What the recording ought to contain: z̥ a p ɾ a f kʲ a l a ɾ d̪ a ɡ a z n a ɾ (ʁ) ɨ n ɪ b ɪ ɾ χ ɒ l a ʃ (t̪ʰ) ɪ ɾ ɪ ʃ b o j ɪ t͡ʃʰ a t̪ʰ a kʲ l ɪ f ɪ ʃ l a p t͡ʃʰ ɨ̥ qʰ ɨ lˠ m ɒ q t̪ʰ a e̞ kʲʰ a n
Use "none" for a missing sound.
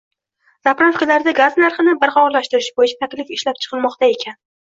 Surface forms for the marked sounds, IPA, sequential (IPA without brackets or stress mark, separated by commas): χ, t̪